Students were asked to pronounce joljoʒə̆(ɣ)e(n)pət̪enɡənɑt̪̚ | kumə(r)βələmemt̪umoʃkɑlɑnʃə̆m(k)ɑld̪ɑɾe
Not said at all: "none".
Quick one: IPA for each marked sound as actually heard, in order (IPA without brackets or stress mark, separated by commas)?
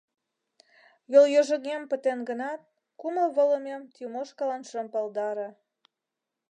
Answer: ɣ, m, l, p